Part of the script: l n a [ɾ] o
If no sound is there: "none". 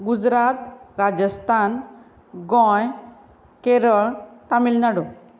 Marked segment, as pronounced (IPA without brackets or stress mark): ɽ